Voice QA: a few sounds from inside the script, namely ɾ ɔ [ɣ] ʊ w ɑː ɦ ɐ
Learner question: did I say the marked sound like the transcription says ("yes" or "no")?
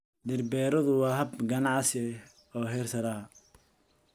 no